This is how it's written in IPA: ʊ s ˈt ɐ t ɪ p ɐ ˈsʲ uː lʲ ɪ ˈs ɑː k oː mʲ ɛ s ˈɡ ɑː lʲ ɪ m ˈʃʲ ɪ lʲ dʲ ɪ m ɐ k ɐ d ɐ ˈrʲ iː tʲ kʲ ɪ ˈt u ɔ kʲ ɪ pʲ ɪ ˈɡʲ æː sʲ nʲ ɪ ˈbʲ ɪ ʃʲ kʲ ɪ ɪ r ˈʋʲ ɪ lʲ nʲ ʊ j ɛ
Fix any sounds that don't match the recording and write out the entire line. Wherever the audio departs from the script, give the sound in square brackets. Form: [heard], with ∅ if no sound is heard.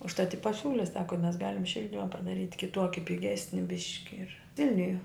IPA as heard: ʊ [ʃ] ˈt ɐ t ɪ p ɐ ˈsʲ uː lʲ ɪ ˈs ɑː k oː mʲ ɛ s ˈɡ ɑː lʲ ɪ m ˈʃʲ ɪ lʲ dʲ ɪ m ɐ [p] ɐ d ɐ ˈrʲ iː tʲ kʲ ɪ ˈt u ɔ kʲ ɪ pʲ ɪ ˈɡʲ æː sʲ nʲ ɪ ˈbʲ ɪ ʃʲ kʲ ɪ ɪ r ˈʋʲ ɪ lʲ nʲ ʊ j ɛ